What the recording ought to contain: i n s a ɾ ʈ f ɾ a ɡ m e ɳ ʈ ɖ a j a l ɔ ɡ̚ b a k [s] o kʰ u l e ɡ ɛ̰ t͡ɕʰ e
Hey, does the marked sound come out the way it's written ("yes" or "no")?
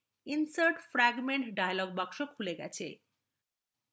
no